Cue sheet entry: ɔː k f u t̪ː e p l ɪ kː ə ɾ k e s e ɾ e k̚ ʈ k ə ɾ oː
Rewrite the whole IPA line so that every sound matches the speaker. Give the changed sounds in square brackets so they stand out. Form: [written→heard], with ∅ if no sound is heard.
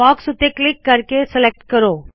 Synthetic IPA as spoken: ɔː k [f→s] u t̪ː e [p→k] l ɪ kː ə ɾ k e s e [ɾ→l] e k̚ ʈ k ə ɾ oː